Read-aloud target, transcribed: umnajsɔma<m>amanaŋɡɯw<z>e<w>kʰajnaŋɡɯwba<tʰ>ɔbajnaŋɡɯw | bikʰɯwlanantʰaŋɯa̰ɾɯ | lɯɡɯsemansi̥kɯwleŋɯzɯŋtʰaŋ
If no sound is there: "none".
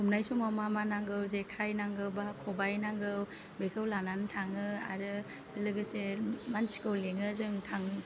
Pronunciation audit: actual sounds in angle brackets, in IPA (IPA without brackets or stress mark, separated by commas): m, z, none, kʰ